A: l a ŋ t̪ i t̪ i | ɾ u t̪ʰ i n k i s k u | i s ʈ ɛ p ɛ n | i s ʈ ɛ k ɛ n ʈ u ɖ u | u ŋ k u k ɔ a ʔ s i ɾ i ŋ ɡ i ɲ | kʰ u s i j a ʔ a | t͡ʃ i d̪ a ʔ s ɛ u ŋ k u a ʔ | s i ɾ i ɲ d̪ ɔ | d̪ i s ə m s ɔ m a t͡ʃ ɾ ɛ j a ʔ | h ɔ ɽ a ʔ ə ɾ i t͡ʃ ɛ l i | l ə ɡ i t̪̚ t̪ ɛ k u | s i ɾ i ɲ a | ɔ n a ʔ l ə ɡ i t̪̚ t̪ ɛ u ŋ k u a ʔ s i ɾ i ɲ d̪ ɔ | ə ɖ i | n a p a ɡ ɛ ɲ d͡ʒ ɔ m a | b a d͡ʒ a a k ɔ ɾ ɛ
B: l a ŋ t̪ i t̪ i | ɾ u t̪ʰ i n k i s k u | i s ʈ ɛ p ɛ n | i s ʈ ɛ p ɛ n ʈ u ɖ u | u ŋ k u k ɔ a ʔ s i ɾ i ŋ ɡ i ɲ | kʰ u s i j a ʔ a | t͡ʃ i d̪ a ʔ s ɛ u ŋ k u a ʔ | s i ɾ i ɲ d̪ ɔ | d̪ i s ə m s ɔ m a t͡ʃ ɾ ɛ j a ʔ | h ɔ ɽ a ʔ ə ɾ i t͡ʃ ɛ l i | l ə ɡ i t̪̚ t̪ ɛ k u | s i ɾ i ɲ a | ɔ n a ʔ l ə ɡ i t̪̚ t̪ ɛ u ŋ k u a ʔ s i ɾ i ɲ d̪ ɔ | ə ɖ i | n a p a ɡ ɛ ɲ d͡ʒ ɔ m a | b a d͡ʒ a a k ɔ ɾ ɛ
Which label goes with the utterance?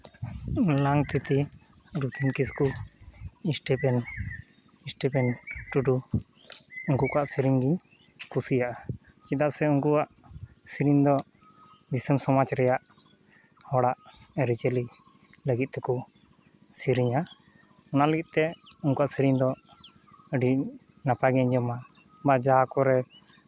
B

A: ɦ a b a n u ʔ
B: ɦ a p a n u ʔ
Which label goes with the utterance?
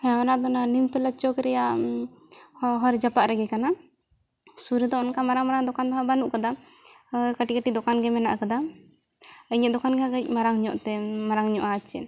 A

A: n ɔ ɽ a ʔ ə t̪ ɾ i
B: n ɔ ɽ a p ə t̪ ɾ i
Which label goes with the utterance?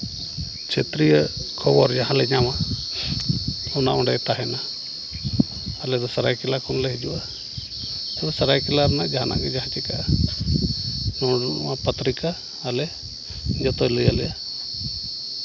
B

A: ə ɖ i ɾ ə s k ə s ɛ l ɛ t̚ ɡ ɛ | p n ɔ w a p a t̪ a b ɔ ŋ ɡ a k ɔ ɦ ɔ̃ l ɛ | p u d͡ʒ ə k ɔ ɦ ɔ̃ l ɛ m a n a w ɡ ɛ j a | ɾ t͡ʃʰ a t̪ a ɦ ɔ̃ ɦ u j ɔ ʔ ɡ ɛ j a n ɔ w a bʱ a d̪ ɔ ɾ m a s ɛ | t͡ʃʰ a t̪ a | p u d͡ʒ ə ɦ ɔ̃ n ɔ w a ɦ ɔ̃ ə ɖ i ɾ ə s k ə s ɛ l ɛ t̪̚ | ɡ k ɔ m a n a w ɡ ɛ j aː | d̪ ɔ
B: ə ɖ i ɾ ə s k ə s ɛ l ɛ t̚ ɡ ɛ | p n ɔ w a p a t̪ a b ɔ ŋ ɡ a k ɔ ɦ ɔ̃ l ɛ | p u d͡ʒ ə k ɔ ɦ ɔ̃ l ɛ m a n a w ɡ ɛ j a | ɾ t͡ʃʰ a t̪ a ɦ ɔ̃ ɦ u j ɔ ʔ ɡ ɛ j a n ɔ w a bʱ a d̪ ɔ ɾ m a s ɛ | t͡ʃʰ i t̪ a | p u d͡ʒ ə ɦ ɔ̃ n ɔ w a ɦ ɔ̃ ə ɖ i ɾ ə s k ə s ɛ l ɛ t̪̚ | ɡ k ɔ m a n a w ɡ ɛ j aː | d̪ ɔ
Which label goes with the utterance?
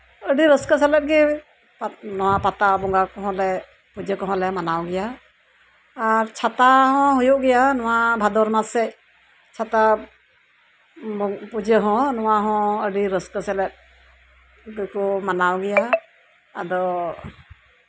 A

